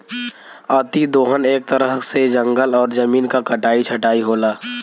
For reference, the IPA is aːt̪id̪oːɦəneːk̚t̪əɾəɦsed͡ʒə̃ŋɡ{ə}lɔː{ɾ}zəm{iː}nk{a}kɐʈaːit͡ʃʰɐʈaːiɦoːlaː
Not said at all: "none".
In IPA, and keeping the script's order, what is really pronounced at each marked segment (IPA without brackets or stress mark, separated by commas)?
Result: ə, ɾ, iː, a